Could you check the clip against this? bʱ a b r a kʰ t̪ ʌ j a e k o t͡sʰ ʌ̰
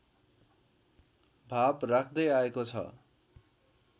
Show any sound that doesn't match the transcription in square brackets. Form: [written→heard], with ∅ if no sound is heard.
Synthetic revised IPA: bʱ a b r a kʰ [t̪→d̪] ʌ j a e k o t͡sʰ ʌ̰